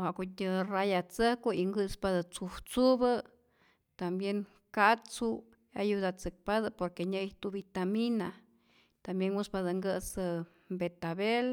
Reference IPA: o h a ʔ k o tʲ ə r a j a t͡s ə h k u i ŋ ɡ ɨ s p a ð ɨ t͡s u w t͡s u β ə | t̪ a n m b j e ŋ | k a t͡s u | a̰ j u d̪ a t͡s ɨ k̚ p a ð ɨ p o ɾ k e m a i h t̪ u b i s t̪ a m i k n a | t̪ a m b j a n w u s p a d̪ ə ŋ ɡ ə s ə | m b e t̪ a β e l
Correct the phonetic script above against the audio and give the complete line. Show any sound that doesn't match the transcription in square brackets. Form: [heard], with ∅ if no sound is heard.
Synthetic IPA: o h a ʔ k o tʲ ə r a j a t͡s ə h k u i ŋ ɡ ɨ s p a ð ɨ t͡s u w t͡s u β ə | t̪ a [∅] m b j e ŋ | k a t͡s u | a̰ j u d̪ a t͡s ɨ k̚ p a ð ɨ p o ɾ k e [ɲ] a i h t̪ u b i [∅] t̪ a m i [∅] n a | t̪ a m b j [e] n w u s p a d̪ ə ŋ ɡ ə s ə | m b e t̪ a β e l